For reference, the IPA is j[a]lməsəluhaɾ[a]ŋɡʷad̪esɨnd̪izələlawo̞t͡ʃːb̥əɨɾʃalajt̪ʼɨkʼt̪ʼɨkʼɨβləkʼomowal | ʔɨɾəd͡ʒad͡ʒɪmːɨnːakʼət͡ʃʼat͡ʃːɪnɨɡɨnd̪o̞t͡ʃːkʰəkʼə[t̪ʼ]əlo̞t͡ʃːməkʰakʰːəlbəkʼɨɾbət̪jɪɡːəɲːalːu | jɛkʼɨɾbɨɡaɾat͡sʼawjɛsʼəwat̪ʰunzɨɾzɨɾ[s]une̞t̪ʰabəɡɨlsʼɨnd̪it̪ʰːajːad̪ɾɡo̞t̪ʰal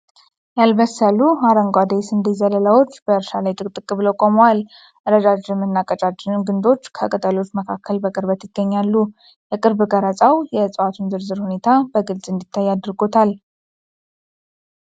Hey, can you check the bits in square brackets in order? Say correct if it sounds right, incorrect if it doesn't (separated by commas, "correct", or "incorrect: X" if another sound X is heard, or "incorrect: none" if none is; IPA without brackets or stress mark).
correct, incorrect: ə, correct, incorrect: h